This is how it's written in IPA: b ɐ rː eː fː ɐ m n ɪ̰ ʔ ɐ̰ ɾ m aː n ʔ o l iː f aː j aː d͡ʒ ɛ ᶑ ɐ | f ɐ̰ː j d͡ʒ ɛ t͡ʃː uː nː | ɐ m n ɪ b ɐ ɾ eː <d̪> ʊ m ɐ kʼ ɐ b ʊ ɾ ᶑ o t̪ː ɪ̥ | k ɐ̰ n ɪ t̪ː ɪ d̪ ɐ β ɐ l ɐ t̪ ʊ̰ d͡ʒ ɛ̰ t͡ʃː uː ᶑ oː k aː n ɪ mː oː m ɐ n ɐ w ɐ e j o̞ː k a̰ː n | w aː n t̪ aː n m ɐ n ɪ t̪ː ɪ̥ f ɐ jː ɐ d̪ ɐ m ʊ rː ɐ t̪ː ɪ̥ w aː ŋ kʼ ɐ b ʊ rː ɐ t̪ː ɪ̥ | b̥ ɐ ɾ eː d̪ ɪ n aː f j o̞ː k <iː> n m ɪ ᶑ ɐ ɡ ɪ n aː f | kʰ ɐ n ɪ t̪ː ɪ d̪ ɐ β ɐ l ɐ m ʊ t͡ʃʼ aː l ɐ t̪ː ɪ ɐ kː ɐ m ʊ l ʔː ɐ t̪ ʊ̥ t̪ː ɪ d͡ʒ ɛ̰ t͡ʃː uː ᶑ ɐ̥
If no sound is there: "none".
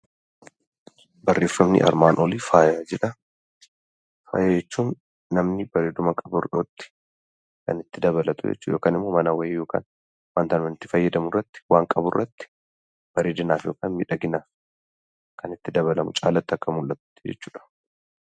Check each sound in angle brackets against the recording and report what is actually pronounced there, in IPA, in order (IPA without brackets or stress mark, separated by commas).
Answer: d̪, aː